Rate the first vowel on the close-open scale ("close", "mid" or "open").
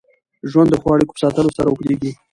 open